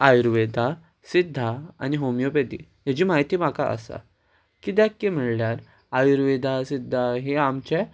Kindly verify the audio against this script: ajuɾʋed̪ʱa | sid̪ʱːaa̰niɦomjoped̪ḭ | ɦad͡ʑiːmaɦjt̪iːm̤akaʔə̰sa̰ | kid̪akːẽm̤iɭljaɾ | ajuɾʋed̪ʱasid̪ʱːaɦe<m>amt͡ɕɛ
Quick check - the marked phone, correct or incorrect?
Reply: incorrect